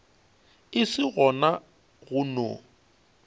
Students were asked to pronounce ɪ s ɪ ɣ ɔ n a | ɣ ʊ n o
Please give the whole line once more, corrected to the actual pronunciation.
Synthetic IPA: ɪ s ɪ ɣ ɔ n a | ɣ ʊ n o